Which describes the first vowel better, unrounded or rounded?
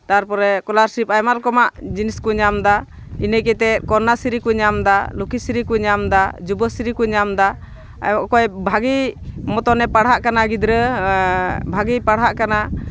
unrounded